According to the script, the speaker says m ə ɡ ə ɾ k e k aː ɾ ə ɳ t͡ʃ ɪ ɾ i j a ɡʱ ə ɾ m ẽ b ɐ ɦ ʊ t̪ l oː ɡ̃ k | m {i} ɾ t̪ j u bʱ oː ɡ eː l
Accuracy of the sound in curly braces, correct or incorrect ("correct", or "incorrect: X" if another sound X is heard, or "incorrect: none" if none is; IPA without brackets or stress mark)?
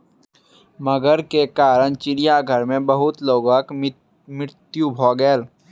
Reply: incorrect: ɪ